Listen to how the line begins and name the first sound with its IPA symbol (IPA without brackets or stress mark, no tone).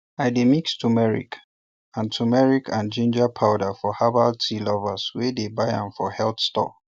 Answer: a